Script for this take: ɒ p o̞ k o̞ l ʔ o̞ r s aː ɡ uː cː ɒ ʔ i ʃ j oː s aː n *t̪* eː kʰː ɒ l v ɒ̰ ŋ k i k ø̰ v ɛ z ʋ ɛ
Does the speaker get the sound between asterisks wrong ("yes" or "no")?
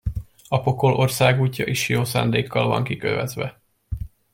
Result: yes